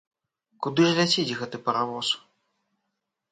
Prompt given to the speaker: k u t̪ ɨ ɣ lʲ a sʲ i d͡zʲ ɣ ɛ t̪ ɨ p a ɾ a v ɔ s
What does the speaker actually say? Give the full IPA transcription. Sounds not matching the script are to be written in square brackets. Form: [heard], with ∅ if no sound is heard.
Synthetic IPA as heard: k u [d̪] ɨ [ʐ] lʲ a [t͡sʲ] i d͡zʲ ɣ ɛ t̪ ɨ p [ɐ] ɾ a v ɔ s